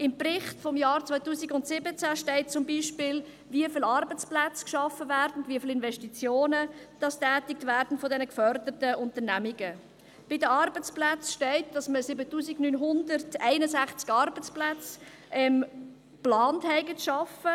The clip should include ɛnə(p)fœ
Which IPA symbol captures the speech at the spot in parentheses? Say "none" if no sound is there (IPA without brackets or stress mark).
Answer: k